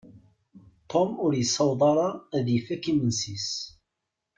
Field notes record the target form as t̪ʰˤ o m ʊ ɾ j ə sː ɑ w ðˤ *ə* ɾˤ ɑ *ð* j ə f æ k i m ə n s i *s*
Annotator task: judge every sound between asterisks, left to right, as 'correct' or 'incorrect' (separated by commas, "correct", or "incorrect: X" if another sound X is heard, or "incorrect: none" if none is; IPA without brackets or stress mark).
incorrect: ɑ, correct, correct